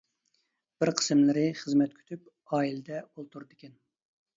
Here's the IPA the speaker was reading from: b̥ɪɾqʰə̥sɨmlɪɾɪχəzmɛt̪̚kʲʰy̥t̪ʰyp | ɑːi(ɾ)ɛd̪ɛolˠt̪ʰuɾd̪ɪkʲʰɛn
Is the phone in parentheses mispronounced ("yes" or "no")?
yes